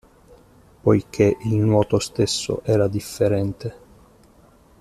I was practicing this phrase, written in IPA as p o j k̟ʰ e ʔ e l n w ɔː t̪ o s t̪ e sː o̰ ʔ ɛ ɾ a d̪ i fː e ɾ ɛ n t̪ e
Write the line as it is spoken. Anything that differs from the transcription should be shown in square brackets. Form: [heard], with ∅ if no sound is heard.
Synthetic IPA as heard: p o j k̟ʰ e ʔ [i] l n w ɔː t̪ o s t̪ e sː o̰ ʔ [ɛː] ɾ a d̪ i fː e ɾ ɛ n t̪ e